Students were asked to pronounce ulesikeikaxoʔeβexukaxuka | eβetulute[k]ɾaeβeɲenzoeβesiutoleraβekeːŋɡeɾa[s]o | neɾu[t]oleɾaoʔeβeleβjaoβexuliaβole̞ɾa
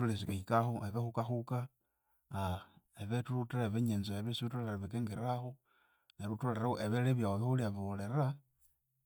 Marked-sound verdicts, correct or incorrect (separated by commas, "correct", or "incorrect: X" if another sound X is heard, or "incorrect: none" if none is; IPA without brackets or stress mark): incorrect: none, incorrect: x, correct